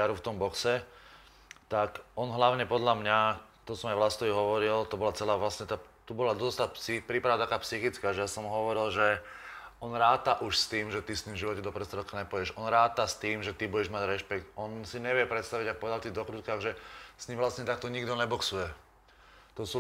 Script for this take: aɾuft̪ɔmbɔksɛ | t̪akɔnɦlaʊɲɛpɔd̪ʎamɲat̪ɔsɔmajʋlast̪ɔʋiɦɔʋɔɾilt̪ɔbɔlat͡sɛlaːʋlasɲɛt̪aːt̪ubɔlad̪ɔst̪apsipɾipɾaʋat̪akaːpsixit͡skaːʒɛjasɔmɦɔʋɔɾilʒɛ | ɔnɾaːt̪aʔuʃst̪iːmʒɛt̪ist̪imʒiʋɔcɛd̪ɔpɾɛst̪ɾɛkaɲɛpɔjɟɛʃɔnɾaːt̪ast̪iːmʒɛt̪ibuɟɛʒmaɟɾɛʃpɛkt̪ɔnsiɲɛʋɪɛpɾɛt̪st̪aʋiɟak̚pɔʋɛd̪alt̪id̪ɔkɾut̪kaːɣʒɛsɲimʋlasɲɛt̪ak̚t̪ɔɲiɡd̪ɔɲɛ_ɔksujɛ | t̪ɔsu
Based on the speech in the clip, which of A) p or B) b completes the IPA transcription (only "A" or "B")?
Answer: B